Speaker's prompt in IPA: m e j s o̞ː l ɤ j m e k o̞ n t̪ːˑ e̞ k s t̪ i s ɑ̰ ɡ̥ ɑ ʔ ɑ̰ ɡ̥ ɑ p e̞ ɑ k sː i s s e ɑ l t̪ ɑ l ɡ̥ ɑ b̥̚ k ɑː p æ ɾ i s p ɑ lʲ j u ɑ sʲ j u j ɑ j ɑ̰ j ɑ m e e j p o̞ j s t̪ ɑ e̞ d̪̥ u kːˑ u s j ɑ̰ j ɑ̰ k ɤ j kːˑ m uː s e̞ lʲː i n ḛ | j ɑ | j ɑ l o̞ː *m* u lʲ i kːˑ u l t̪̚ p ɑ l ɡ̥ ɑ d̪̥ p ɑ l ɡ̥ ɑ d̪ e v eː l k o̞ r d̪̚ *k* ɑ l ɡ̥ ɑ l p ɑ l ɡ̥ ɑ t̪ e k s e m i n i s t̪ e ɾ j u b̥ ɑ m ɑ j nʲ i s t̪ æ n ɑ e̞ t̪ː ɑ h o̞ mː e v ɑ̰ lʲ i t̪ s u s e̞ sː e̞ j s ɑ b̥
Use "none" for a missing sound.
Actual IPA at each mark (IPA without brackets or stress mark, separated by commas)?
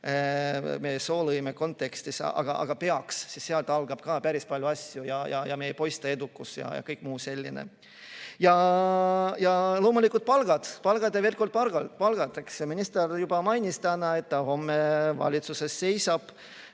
m, p